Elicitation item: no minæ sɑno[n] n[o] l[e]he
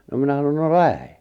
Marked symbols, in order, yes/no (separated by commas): yes, yes, no